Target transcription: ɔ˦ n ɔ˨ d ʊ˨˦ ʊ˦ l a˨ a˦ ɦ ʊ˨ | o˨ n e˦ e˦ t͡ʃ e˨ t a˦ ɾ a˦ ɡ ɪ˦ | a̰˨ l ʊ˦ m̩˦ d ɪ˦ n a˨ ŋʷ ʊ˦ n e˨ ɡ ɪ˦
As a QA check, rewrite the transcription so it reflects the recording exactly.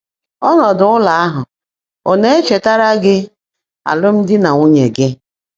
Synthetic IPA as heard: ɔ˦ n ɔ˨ d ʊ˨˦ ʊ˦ l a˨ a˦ ɦ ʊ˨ | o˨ n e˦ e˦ t͡ʃ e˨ t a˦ ɾ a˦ ɡ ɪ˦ | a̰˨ l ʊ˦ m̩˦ d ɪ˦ n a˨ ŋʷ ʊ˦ ɲ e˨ ɡ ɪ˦